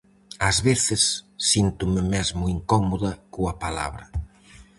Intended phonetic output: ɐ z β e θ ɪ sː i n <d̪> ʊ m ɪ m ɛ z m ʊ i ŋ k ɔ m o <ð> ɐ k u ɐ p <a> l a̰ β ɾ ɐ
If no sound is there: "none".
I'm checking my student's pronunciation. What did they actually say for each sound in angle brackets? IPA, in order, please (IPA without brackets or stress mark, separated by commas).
t̪, ð, a